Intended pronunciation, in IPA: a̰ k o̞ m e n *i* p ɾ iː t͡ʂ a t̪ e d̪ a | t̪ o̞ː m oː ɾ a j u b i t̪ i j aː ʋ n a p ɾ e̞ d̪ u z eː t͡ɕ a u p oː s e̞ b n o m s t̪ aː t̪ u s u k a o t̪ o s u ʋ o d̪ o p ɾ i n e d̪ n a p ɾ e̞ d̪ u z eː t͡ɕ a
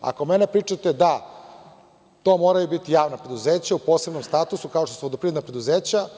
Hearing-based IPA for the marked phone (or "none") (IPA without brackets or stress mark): e